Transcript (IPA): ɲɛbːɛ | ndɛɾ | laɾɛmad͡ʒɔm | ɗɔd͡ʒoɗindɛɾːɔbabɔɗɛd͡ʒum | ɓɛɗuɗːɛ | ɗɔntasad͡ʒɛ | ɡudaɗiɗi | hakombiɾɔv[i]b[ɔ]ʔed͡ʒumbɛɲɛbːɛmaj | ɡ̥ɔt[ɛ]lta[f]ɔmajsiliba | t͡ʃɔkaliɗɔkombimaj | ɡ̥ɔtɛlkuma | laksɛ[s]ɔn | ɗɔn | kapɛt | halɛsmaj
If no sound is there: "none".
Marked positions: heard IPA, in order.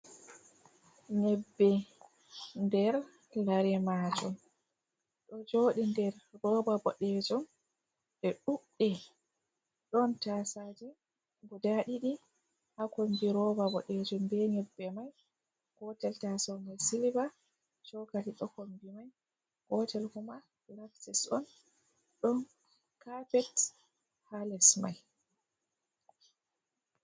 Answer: a, ɔ, ɛ, s, s

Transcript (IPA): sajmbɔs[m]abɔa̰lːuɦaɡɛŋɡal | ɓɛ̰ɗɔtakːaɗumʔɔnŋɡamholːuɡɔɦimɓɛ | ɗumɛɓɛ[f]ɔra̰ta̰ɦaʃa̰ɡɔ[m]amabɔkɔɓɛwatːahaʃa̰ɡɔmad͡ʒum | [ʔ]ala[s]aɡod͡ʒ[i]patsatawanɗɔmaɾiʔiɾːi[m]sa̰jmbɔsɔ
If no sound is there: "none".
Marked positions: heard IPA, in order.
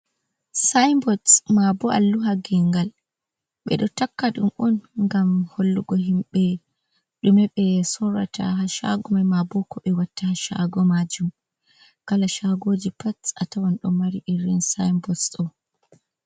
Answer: m, s, m, k, ʃ, i, n

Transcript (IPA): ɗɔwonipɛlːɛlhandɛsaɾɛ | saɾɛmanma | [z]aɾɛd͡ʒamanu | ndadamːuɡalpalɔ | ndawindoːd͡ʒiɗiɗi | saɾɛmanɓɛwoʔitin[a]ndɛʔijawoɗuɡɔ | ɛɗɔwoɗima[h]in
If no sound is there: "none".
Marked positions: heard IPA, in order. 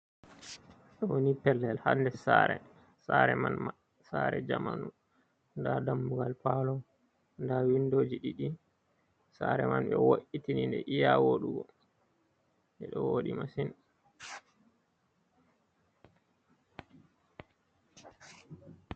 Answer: s, i, s

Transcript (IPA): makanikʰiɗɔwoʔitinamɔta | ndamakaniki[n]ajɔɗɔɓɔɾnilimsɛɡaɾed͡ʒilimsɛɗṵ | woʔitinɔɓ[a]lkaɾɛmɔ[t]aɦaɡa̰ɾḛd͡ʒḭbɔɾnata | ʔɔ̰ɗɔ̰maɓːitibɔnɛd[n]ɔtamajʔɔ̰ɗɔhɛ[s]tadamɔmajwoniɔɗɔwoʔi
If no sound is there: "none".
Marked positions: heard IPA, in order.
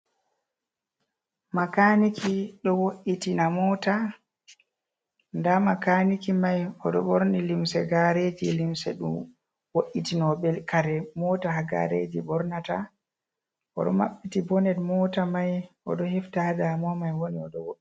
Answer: m, ɛ, t, m, f

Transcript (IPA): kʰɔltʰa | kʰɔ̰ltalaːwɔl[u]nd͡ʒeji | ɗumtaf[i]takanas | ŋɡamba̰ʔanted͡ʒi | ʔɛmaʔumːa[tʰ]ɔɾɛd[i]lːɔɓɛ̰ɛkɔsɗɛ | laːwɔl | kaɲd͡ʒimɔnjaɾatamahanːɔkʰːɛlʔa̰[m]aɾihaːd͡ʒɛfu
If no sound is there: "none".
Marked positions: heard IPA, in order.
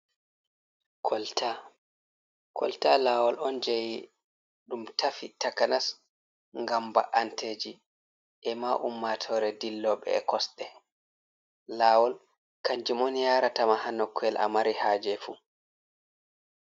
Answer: ɔ, i, tʰ, i, m

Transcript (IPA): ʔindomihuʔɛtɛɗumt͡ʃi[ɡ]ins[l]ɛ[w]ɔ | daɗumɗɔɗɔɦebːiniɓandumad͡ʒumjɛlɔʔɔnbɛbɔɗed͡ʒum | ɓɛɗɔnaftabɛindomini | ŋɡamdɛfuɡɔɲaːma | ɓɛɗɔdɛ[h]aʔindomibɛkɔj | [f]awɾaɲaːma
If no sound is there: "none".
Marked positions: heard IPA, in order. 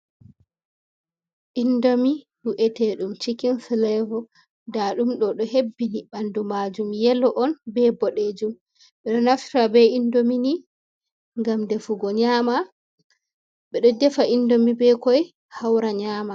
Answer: k, l, v, f, h

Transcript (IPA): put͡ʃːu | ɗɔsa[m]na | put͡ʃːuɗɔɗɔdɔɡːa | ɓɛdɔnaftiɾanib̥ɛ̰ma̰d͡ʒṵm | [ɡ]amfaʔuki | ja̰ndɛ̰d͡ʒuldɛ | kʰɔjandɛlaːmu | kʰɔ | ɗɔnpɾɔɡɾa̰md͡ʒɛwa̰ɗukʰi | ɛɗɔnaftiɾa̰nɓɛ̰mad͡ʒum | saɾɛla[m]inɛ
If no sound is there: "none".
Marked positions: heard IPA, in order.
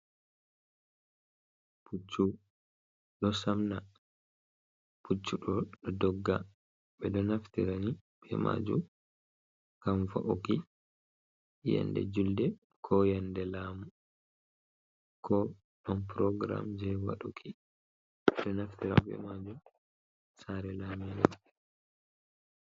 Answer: m, k, m

